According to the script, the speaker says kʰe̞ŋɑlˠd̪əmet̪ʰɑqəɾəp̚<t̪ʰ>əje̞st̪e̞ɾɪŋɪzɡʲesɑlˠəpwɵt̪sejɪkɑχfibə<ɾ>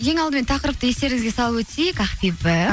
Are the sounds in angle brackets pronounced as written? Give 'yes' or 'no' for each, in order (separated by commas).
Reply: no, no